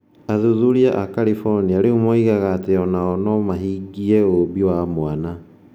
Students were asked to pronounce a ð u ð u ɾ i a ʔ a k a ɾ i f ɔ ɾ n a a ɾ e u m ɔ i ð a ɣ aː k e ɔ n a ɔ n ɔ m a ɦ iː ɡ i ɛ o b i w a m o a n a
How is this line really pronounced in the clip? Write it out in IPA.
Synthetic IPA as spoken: a ð u ð u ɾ i a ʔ a k a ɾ i f ɔ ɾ n i a ɾ e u m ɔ i ɣ a ɣ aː t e ɔ n a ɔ n ɔ m a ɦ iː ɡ i ɛ o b i w a m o a n a